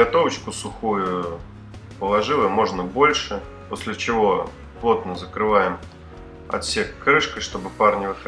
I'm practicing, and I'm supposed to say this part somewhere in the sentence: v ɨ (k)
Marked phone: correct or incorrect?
incorrect